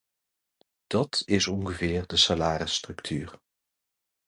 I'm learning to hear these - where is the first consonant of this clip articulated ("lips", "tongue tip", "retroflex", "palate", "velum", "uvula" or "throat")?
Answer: tongue tip